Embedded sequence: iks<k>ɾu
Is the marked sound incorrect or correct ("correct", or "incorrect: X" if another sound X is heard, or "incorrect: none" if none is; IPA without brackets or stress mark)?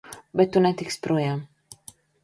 incorrect: p